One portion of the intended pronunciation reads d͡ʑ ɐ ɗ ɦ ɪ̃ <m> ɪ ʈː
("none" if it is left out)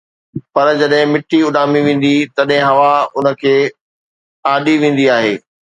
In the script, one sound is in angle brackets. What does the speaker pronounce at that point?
m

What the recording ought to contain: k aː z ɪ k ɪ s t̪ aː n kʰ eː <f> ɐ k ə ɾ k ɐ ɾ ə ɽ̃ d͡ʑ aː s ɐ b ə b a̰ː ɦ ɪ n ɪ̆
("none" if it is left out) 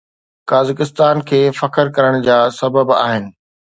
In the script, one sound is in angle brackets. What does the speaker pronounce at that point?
f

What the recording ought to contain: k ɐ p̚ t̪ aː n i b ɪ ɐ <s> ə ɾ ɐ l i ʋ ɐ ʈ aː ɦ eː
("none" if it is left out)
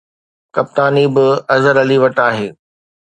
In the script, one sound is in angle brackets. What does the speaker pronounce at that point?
z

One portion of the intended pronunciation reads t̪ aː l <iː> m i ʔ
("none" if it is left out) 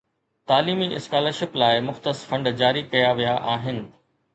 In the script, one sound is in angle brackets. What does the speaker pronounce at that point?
iː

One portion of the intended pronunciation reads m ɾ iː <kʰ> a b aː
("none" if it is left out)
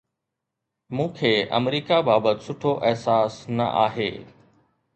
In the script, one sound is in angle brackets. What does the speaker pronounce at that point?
k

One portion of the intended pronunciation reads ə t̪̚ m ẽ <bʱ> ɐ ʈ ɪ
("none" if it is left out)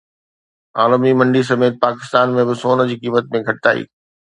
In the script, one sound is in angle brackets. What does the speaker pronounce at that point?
ɡʱ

